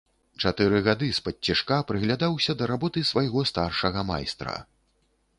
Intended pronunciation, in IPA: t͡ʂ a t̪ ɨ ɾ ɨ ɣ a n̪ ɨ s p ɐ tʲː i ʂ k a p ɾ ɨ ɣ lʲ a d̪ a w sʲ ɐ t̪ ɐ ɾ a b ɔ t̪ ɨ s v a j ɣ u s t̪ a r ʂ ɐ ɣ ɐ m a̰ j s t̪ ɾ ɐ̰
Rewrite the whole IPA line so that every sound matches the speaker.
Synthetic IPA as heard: t͡ʂ a t̪ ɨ ɾ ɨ ɣ a d̪ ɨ s p ɐ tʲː i ʂ k a p ɾ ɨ ɣ lʲ a d̪ a w sʲ ɐ d̪ ɐ ɾ a b ɔ t̪ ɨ s v a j ɣ ɔ s t̪ a r ʂ ɐ ɣ ɐ m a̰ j s t̪ ɾ ɐ̰